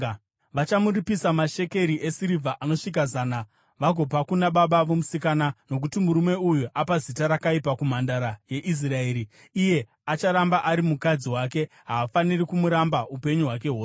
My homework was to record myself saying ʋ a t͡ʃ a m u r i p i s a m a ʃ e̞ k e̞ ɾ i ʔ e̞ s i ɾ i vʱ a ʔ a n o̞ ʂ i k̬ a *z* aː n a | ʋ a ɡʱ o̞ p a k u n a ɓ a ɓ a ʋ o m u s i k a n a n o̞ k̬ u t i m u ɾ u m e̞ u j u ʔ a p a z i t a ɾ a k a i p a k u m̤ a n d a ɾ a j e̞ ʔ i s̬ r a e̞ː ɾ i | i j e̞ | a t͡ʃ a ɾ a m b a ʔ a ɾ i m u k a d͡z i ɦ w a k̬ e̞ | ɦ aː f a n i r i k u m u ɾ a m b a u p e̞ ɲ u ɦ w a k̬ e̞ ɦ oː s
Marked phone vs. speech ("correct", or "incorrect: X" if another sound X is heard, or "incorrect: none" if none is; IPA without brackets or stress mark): correct